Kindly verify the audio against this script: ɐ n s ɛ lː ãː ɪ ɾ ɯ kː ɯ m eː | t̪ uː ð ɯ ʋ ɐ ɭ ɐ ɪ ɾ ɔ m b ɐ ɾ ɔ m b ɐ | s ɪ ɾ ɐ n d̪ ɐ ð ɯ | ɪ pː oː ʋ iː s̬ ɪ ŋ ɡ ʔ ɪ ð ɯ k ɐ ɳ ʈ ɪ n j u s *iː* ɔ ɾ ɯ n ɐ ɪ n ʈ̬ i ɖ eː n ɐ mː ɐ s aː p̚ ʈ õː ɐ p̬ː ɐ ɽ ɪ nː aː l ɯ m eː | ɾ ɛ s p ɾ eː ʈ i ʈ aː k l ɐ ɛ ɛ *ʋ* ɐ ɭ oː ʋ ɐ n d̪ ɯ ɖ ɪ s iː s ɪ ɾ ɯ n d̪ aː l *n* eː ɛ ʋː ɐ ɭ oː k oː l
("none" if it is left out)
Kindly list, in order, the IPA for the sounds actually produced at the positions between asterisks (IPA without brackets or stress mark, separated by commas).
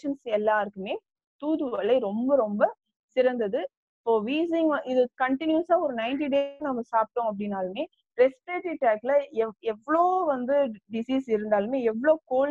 aː, ʋː, m